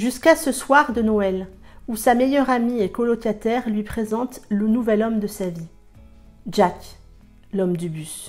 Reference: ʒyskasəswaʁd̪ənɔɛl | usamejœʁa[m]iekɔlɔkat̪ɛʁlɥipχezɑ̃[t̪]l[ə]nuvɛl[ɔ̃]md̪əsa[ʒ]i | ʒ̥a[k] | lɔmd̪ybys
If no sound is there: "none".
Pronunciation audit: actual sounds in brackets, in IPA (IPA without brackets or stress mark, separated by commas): m, t̪, ə, ɔ, v, k